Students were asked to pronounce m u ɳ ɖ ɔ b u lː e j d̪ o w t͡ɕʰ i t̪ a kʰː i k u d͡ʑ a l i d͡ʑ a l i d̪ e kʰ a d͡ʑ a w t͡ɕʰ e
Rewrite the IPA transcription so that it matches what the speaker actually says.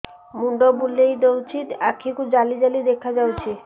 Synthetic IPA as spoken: m u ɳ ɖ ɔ b u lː e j d̪ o w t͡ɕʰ i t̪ a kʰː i k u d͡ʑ a l i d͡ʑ a l i d̪ e kʰ a d͡ʑ a w t͡ɕʰ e

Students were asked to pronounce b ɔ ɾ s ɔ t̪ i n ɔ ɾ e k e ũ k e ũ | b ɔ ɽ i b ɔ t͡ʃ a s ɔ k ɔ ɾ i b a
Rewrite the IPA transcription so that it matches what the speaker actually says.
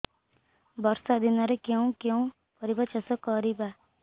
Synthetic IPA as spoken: b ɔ ɾ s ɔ d̪ i n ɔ ɾ e k e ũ k e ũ | p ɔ ɾ i b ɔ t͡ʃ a s ɔ k ɔ ɾ i b a

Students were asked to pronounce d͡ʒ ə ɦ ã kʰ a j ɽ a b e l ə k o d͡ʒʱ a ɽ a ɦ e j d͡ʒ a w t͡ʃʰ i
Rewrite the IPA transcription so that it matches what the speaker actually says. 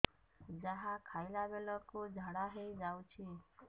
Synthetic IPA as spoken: d͡ʒ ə ɦ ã kʰ a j l a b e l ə k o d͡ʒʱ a ɽ a ɦ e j d͡ʒ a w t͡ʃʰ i

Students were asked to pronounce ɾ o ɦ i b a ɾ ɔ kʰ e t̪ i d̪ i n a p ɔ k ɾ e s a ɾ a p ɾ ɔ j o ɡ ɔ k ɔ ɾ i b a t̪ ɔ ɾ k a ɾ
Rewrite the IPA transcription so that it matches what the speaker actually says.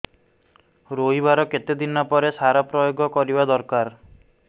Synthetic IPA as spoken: ɾ o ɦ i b a ɾ ɔ k e t̪ e d̪ i n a p ɔ ɾ e s a ɾ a p ɾ ɔ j o ɡ ɔ k ɔ ɾ i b a d̪ ɔ ɾ k a ɾ

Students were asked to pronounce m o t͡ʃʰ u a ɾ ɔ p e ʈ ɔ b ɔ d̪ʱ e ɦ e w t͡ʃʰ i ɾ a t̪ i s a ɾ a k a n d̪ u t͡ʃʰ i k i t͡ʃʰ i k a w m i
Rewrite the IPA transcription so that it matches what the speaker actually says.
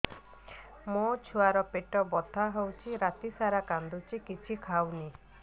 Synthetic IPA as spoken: m o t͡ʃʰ u a ɾ ɔ p e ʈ ɔ b ɔ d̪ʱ a ɦ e w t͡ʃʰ i ɾ a t̪ i s a ɾ a k a n d̪ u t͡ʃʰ i k i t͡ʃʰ i kʰ a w n i

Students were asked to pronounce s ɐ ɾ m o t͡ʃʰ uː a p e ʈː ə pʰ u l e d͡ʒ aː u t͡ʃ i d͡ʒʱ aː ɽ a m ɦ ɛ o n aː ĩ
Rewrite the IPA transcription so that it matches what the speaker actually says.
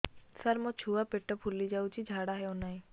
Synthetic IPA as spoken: s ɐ ɾ m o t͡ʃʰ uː a p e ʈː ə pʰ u l i d͡ʒ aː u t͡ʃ i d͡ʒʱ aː ɽ a ɦ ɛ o n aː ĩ

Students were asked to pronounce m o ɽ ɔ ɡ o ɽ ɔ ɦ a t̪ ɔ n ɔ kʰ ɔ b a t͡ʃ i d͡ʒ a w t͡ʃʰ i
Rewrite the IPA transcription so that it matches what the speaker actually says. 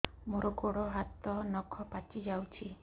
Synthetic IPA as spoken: m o ɾ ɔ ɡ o ɽ ɔ ɦ a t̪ ɔ n ɔ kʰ ɔ p a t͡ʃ i d͡ʒ a w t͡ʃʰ i

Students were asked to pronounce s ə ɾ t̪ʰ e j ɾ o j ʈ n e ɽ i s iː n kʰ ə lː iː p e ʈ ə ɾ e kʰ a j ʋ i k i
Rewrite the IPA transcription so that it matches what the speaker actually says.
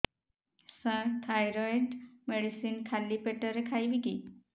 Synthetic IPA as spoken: s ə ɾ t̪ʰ a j ɾ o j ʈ m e ɽ i s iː n kʰ a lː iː p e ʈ ə ɾ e kʰ a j ʋ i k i

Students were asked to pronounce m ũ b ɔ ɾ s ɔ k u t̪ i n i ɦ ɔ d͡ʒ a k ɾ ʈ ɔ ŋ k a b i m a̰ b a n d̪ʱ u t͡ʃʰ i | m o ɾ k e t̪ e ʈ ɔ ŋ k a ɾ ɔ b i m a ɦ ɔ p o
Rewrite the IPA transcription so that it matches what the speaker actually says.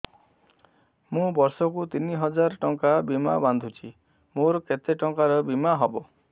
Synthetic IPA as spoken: m ũ b ɔ ɾ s ɔ k u t̪ i n i ɦ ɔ d͡ʒ a ɾ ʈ ɔ ŋ k a b i m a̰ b a n d̪ʱ u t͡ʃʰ i | m o ɾ k e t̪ e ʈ ɔ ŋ k a ɾ ɔ b i m a ɦ ɔ b o

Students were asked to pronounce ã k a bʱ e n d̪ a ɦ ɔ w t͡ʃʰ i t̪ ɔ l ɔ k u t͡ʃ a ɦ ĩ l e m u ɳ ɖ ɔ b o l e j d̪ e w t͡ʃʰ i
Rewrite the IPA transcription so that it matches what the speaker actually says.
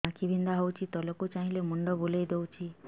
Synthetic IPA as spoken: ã k i bʱ i n d̪ a ɦ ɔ w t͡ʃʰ i t̪ ɔ l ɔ k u t͡ʃ a ɦ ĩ l e m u ɳ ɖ ɔ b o l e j d̪ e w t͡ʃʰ i

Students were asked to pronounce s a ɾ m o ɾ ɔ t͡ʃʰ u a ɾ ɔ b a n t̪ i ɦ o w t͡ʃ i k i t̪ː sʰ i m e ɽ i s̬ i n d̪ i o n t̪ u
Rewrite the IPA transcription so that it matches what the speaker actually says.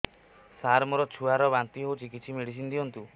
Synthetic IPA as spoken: s a ɾ m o ɾ ɔ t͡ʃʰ u a ɾ ɔ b a n t̪ i ɦ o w t͡ʃ i k i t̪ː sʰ i m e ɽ i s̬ i n d̪ i ɔ n t̪ u

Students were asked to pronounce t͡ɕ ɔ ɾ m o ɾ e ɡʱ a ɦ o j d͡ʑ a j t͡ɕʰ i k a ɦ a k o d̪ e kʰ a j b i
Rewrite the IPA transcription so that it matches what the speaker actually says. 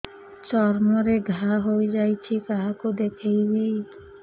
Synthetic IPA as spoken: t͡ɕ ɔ ɾ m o ɾ e ɡʱ a ɦ o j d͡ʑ a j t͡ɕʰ i k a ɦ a k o d̪ e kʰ e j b i

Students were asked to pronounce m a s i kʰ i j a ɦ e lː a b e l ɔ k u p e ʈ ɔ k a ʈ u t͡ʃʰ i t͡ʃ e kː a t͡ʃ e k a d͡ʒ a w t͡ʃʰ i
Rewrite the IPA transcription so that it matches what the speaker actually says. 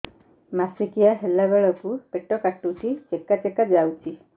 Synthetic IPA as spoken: m a s i k i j a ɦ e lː a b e ɭ ɔ k u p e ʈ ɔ k a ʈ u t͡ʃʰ i t͡ʃ e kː a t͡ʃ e k a d͡ʒ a w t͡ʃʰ i

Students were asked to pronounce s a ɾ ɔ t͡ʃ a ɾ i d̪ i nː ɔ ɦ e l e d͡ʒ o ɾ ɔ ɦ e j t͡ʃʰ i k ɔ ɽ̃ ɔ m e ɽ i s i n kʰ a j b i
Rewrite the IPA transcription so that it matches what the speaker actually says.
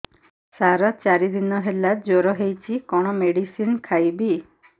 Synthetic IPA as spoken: s a ɾ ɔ t͡ʃ a ɾ i d̪ i n ɔ ɦ e l a d͡ʒ o ɾ ɔ ɦ e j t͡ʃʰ i k ɔ ɽ̃ ɔ m e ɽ i s i n kʰ a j b i

